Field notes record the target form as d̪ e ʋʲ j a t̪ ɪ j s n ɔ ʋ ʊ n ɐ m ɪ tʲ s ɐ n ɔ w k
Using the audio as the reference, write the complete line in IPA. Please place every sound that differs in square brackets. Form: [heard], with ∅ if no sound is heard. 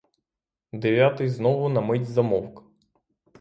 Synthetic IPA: d̪ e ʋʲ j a t̪ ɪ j [z] n ɔ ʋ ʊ n ɐ m ɪ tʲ [z] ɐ [m] ɔ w k